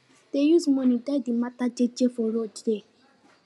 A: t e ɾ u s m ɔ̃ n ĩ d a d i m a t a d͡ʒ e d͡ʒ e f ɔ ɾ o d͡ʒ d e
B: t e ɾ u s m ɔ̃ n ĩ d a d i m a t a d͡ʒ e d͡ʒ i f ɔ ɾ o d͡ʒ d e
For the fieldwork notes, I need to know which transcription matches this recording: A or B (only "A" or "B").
A